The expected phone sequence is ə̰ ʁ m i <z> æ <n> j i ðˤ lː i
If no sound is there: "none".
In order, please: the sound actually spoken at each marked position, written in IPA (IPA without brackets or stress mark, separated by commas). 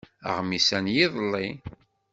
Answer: s, n